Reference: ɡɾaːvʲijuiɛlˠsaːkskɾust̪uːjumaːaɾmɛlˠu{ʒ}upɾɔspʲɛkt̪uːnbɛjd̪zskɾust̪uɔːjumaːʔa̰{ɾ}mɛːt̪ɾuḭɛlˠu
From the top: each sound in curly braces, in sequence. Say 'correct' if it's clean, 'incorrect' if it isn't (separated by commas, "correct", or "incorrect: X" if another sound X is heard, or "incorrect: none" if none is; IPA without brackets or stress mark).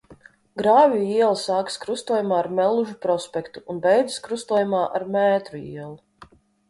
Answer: correct, correct